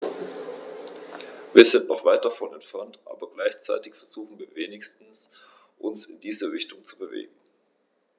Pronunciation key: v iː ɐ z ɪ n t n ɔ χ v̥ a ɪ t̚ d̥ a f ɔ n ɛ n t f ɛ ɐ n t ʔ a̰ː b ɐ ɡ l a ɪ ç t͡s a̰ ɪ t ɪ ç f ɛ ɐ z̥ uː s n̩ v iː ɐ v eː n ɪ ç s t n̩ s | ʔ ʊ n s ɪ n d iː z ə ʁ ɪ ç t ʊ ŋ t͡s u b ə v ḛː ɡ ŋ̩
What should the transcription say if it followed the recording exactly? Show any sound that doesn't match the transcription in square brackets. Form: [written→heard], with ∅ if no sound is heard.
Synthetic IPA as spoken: v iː ɐ z ɪ n t n ɔ χ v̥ a ɪ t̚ d̥ a f ɔ n ɛ n t f ɛ ɐ n t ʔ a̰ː b ɐ ɡ l a ɪ ç t͡s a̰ ɪ t ɪ ç f ɛ ɐ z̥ uː [s→x] n̩ v iː ɐ v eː n ɪ ç s t n̩ s | ʔ ʊ n s ɪ n d iː z ə ʁ ɪ ç t ʊ ŋ t͡s u b ə v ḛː ɡ ŋ̩